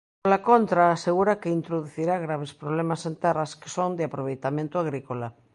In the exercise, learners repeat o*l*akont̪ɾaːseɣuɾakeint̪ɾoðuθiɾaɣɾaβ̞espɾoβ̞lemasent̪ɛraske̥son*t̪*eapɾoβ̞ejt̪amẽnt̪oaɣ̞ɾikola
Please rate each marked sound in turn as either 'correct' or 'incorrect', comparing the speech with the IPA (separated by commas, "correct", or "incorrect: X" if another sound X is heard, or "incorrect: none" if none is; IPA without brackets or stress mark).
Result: correct, incorrect: d̪